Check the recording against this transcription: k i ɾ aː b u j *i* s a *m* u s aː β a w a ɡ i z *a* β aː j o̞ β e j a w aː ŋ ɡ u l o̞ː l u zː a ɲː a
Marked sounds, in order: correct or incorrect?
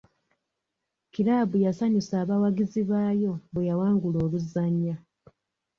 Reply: incorrect: a, incorrect: ɲ, incorrect: i

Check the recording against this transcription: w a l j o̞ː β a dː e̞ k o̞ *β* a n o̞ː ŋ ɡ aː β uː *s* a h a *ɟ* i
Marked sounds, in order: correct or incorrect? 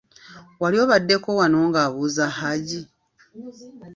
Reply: incorrect: w, incorrect: z, correct

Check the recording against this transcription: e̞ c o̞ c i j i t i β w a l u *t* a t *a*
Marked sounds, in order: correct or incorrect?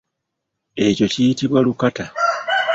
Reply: incorrect: k, correct

